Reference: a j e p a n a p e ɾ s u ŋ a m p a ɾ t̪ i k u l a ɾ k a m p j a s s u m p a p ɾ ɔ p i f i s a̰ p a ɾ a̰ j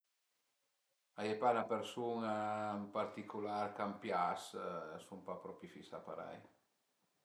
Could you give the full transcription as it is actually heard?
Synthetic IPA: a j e p a n a p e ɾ s u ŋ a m p a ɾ t̪ i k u l a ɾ k a m p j a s s u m p a p ɾ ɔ p i f i s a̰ p a ɾ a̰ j